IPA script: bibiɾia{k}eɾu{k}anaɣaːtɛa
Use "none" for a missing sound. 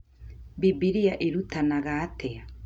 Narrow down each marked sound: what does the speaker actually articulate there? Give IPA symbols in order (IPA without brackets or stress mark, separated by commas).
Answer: ʔ, t